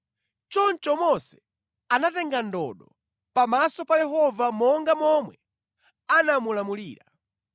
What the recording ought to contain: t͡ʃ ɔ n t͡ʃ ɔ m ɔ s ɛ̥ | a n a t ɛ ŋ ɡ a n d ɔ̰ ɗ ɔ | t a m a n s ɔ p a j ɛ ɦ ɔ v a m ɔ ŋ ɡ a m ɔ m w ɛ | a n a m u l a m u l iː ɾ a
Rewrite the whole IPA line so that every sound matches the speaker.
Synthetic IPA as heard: t͡ʃ ɔ n t͡ʃ ɔ m ɔ s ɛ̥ | a n a t ɛ ŋ ɡ a n d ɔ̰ ɗ ɔ | p a m a s ɔ p a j ɛ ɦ ɔ v a m ɔ ŋ ɡ a m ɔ m w ɛ | a n a m u l a m u l iː ɾ a